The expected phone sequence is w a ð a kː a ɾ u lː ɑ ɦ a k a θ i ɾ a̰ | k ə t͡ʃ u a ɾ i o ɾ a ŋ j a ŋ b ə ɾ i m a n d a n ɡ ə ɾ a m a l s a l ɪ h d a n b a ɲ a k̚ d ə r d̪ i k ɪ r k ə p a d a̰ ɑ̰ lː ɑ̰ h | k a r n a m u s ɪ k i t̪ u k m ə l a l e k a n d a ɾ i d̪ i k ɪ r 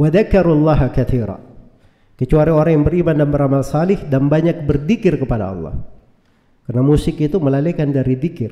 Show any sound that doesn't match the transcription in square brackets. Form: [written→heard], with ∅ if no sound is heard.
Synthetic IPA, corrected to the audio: w a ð a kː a ɾ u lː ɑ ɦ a k a θ i ɾ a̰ | k ə t͡ʃ u a ɾ i o ɾ a ŋ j a ŋ b ə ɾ i m a n d a n [ɡ→b] ə ɾ a m a l s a l ɪ h d a n b a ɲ a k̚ [d→b] ə r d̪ i k ɪ r k ə p a d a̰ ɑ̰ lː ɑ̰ h | k a r n a m u s ɪ k i t̪ u [k→∅] m ə l a l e k a n d a ɾ i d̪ i k ɪ r